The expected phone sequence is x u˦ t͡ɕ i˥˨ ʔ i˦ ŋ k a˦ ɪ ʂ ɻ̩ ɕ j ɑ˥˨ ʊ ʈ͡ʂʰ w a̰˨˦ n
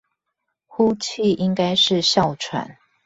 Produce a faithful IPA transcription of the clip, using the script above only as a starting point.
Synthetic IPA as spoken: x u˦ t͡ɕʰ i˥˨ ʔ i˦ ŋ k a˦ ɪ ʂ ɻ̩ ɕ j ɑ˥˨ ʊ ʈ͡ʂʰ w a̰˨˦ n